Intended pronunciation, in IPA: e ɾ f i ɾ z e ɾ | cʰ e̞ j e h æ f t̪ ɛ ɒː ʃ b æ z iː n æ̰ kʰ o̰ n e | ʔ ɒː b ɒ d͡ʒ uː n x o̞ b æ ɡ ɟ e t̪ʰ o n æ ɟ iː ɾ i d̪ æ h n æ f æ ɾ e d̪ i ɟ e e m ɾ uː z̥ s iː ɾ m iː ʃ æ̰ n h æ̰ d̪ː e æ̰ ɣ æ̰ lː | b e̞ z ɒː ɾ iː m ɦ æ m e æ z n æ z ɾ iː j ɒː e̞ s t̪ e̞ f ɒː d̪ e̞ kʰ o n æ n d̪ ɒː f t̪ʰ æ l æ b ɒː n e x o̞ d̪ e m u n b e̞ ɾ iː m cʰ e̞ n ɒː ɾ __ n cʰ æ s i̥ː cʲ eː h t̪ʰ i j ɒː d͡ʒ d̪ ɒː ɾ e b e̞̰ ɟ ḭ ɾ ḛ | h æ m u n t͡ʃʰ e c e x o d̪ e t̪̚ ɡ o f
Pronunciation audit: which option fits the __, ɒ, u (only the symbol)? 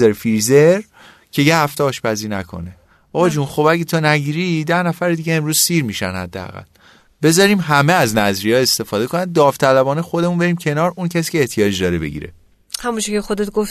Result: u